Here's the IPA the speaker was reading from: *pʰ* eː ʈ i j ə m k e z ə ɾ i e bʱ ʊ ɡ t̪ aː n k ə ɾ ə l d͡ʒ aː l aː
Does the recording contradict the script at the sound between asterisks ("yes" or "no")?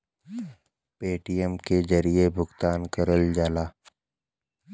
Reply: yes